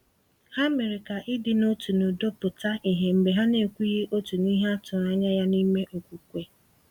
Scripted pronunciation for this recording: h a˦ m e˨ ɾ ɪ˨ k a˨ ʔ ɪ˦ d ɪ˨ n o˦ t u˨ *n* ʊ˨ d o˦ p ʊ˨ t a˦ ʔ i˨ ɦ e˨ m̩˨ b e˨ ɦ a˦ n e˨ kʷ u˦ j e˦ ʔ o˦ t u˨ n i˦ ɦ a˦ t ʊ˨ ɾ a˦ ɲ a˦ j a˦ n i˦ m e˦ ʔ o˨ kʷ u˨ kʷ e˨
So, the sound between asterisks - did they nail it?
yes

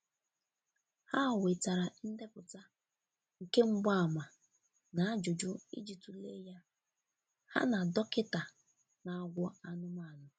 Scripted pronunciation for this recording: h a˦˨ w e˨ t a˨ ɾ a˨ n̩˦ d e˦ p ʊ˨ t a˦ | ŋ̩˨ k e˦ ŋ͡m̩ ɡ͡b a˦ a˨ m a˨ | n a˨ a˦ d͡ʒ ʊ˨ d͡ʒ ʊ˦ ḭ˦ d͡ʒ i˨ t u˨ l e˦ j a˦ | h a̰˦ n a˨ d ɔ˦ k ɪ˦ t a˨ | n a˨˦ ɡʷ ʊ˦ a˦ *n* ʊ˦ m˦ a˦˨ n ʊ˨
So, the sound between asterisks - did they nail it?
yes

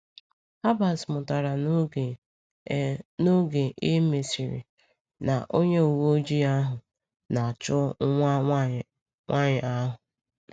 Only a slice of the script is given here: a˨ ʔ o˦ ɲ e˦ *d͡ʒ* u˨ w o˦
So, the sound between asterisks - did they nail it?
no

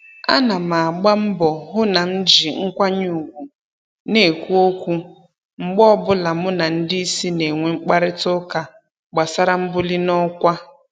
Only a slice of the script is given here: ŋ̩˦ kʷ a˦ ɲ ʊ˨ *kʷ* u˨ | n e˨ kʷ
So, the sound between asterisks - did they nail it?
no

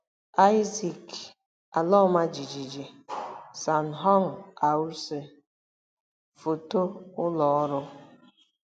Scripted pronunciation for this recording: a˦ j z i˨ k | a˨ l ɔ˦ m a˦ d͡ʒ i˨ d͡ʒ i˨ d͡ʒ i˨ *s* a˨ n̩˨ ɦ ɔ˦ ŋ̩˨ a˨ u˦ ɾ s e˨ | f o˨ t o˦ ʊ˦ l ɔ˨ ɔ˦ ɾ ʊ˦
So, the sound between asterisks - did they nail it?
yes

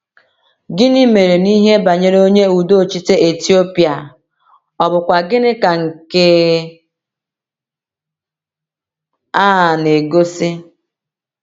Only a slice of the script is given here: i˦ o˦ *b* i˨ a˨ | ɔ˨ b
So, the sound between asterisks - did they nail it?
no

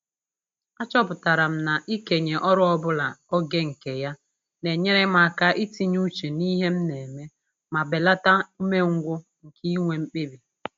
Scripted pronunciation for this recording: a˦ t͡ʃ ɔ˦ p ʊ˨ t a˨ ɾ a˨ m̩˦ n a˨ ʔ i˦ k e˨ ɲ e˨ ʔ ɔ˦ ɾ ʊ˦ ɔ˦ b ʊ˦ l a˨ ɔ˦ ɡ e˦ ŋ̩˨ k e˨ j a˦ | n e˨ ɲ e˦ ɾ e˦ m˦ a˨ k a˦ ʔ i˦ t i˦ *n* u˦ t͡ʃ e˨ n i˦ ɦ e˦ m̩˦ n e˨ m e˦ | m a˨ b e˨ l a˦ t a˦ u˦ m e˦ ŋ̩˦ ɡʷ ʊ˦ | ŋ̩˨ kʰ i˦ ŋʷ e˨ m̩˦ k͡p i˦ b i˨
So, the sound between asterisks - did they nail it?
no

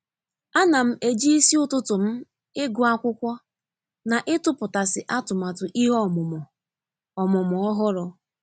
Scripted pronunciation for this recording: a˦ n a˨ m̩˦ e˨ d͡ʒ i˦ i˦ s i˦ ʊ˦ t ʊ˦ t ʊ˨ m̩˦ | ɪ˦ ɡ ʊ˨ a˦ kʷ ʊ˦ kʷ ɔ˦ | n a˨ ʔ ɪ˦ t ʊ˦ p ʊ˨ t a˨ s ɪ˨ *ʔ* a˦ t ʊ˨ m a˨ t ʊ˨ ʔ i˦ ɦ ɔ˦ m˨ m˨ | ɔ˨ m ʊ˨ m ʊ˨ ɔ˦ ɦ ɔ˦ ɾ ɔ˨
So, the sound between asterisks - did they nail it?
yes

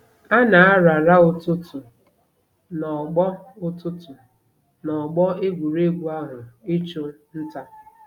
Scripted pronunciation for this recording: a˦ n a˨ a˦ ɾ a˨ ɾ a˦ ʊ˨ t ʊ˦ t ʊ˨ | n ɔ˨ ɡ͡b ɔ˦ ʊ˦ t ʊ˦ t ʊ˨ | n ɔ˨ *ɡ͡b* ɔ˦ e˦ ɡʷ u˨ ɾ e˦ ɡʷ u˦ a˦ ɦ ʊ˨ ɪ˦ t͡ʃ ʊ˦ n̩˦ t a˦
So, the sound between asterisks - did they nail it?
yes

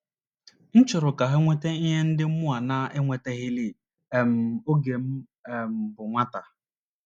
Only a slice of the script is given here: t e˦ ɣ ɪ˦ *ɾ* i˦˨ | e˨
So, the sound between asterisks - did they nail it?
no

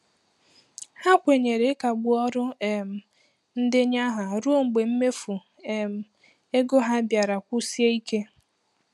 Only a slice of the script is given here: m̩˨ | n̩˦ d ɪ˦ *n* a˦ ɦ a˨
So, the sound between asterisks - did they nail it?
no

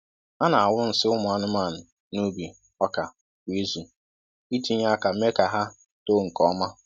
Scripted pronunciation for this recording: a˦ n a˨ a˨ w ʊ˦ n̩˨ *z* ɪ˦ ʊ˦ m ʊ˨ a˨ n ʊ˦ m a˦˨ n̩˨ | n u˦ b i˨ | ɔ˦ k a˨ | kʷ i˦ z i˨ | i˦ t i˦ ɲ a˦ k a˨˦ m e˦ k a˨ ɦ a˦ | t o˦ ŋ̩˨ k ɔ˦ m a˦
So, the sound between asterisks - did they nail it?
no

